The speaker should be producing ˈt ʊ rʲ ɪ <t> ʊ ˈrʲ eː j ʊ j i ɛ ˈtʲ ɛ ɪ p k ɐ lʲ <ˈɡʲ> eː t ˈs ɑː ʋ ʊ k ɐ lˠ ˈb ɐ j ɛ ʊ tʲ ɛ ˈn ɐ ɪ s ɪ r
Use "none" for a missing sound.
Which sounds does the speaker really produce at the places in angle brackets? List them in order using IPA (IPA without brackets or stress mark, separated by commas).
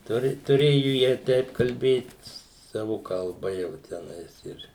t, bʲ